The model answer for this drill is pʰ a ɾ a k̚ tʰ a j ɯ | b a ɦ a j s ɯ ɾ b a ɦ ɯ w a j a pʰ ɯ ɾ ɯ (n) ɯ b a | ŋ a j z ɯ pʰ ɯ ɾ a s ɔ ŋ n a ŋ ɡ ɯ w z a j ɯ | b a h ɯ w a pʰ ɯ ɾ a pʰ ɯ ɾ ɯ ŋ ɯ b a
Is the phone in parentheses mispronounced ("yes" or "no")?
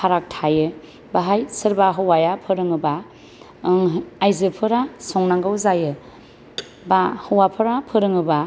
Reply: yes